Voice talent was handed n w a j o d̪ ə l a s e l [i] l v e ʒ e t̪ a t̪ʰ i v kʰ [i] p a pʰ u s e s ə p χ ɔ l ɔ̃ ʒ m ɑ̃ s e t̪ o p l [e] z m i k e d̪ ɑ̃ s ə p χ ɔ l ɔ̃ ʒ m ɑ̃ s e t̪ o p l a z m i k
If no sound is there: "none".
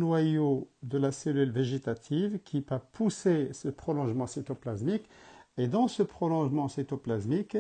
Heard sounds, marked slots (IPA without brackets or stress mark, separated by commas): y, i, a